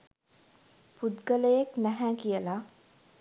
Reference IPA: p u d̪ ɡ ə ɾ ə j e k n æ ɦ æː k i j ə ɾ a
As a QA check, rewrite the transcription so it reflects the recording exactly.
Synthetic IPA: p u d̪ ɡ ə l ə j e k n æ ɦ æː k i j ə l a